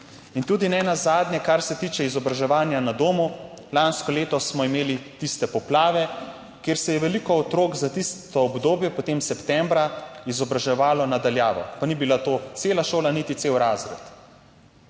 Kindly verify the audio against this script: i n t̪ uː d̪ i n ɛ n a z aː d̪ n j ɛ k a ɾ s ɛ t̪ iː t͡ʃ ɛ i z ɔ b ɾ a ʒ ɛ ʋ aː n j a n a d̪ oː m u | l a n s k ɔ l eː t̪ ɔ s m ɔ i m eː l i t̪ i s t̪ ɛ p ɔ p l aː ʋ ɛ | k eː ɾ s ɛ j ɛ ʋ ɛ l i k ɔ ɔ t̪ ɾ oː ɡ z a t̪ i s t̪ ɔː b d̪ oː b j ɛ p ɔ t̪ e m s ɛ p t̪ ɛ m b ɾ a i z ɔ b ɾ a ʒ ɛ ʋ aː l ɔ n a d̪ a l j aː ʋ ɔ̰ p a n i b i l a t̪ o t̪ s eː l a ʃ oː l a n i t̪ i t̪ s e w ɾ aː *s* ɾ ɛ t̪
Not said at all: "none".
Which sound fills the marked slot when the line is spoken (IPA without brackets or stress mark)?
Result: z